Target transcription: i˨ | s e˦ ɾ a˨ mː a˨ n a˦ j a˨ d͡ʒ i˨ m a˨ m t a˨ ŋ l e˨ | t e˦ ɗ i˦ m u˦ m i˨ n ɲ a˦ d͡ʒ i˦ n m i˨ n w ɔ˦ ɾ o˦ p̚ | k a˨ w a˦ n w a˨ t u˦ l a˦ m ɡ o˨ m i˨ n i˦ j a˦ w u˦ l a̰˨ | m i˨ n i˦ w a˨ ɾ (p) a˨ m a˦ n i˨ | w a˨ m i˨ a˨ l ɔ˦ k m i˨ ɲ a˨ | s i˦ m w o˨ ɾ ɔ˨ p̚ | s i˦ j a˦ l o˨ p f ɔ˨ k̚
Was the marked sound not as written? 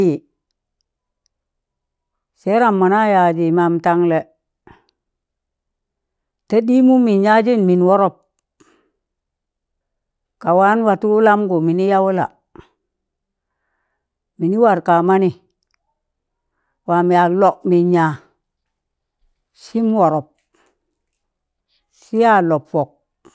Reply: yes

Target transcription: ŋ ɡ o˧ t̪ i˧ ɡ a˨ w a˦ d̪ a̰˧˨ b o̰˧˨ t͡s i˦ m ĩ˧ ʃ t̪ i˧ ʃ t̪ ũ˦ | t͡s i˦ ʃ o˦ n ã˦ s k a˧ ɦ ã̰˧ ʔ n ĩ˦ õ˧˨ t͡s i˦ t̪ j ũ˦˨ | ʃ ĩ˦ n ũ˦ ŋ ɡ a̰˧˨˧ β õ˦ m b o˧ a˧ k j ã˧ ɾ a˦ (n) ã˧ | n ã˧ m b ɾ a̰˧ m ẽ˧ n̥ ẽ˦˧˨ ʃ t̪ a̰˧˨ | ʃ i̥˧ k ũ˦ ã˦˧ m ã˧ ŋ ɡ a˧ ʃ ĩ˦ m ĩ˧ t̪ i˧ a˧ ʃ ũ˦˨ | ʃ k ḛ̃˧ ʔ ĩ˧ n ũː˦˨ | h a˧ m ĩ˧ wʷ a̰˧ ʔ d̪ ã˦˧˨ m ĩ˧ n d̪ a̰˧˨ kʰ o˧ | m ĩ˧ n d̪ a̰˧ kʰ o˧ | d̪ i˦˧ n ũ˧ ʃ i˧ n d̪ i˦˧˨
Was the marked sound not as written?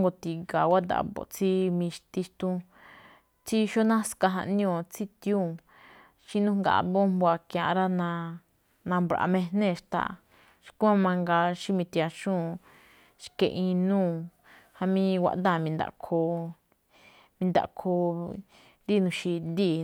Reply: no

